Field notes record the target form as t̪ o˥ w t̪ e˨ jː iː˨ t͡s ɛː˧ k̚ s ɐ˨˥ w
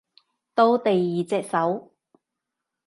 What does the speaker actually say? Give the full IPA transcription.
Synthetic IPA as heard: t̪ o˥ w t̪ e˨ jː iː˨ t͡s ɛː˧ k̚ s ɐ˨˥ w